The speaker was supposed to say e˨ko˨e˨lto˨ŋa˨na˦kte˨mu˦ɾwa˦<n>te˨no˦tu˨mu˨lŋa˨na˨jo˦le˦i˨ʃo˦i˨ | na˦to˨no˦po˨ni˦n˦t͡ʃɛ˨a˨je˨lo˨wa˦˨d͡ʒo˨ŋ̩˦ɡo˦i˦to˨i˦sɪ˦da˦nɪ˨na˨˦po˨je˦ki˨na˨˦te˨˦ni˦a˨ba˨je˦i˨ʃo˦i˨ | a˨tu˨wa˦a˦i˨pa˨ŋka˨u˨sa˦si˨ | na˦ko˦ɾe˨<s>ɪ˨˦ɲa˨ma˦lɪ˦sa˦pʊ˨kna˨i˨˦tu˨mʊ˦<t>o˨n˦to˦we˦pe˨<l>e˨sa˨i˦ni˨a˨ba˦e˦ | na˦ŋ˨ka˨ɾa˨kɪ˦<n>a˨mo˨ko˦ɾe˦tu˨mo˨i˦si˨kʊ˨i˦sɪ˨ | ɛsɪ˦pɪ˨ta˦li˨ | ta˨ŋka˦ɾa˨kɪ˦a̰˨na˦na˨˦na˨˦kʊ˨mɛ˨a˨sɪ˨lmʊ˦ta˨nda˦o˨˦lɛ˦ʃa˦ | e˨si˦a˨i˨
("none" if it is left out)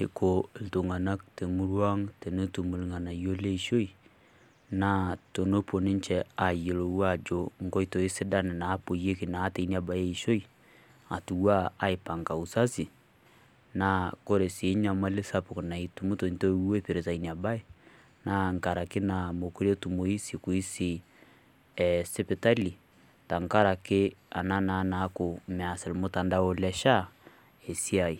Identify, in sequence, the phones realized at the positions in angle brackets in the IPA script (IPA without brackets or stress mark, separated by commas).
ŋ, s, t, ɾ, n